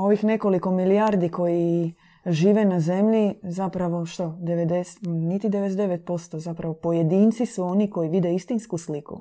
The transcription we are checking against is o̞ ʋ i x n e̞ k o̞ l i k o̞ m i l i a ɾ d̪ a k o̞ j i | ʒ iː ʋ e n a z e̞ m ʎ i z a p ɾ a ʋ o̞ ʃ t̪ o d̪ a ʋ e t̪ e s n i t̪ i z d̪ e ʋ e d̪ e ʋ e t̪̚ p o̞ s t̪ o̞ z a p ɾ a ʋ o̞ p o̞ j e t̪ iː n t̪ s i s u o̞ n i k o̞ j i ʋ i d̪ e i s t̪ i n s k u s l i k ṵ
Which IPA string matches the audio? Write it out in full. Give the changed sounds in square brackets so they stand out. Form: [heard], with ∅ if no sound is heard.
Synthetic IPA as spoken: o̞ ʋ i x n e̞ k o̞ l i k o̞ m i l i a ɾ d̪ [i] k o̞ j i | ʒ iː ʋ e n a z e̞ m ʎ i z a p ɾ a ʋ o̞ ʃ t̪ o d̪ [e] ʋ e [d̪] e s n i t̪ i [∅] d̪ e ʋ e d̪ e ʋ e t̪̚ p o̞ s t̪ o̞ z a p ɾ a ʋ o̞ p o̞ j e [d̪] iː n t̪ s i s u o̞ n i k o̞ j i ʋ i d̪ e i s t̪ i n s k u s l i k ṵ